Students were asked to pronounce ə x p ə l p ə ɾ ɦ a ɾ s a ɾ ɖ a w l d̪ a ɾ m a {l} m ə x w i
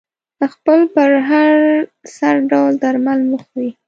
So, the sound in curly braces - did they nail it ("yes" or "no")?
yes